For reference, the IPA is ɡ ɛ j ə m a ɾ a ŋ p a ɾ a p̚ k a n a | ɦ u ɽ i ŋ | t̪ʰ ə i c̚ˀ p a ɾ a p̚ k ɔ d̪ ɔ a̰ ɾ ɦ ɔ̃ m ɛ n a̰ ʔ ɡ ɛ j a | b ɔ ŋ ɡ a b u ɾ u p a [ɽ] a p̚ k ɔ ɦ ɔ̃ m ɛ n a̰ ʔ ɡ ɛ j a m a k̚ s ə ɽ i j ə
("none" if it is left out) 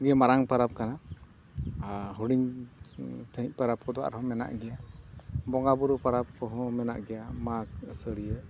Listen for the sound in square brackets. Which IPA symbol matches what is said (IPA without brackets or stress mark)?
ɾ